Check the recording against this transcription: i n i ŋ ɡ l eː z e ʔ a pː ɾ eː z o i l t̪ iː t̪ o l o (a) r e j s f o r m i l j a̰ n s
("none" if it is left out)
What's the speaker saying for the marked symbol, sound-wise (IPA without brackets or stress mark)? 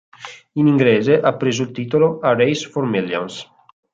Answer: a